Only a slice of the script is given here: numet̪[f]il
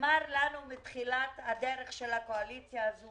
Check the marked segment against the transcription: incorrect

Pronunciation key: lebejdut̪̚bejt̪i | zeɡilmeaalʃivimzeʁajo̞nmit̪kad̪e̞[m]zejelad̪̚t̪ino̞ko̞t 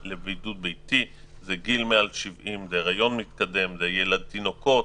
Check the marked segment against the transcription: correct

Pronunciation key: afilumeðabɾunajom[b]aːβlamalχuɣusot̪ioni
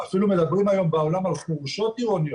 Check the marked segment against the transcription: correct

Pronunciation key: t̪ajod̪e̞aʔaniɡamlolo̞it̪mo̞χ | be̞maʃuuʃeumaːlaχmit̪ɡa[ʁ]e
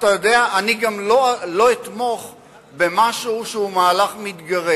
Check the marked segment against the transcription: correct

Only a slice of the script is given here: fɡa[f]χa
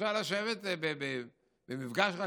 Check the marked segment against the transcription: incorrect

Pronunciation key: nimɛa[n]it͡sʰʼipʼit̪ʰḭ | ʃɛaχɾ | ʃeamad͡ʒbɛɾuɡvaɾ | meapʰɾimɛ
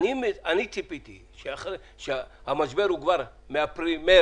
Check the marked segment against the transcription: correct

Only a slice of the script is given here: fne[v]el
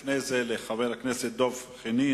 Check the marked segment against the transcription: incorrect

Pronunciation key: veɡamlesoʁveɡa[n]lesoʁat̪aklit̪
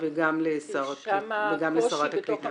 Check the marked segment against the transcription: incorrect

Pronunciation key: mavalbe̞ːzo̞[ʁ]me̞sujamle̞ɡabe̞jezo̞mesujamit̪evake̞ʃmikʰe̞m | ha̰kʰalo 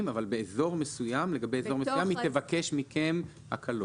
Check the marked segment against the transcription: correct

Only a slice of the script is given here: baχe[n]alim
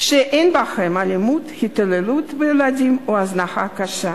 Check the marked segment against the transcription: incorrect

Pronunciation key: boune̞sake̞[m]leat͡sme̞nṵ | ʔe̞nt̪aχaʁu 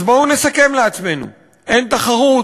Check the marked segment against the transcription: correct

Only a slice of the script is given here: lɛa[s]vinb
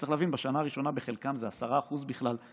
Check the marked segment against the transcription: incorrect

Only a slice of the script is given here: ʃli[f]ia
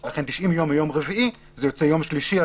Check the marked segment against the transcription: incorrect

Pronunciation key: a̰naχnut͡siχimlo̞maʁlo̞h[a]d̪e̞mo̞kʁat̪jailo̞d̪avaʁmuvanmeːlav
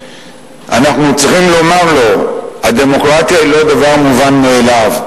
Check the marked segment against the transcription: correct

